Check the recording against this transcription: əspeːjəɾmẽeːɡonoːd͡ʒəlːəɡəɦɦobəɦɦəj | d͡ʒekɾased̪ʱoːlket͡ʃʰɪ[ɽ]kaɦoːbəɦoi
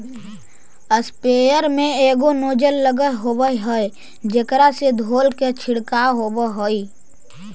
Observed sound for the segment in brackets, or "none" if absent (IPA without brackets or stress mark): ɽ